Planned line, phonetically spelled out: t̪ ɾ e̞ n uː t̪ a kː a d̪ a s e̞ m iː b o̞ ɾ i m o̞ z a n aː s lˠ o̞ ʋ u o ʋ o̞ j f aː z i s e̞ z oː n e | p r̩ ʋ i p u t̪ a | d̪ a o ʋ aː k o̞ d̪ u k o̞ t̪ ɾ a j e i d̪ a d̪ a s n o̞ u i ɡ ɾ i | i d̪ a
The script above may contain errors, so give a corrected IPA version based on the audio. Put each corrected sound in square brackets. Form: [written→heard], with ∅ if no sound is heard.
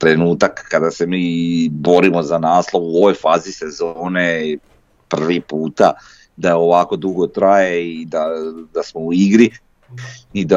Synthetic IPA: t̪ ɾ e̞ n uː t̪ a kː a d̪ a s e̞ m iː b o̞ ɾ i m o̞ z a n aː s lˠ o̞ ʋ u o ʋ o̞ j f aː z i s e̞ z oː n e | p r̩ ʋ i p [u→uː] t̪ a | d̪ a o ʋ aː k o̞ d̪ u [k→ɡ] o̞ t̪ ɾ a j e i d̪ a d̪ a s [n→m] o̞ u i ɡ ɾ i | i d̪ a